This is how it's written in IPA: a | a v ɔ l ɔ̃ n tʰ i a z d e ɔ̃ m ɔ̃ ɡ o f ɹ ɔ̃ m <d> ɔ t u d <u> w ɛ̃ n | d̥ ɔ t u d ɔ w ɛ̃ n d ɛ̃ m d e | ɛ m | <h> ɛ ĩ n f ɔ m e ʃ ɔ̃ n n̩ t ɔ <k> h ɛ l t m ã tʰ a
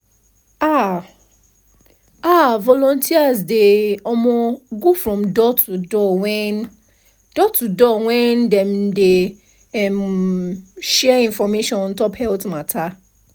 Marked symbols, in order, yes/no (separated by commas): yes, no, no, no